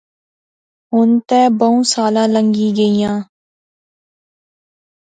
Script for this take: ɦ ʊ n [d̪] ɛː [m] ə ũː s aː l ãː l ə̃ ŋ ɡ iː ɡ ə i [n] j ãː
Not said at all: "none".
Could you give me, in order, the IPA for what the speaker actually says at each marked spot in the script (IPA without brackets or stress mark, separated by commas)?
t̪, b, none